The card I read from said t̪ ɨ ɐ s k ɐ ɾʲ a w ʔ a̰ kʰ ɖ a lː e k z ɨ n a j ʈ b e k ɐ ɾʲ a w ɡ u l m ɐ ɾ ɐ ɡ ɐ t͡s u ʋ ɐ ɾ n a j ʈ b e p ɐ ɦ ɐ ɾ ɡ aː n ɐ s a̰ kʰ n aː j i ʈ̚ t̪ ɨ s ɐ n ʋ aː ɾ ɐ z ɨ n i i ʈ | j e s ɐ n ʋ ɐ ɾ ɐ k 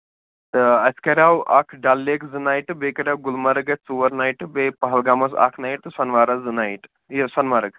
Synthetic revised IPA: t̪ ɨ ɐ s k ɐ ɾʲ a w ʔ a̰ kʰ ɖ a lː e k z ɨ n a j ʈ b e k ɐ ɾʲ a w ɡ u l m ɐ ɾ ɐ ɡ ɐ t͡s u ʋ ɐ ɾ n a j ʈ b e p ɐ ɦ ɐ l ɡ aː m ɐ s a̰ kʰ n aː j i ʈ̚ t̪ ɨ s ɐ n ʋ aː ɾ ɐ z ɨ n a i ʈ | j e s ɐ n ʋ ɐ ɾ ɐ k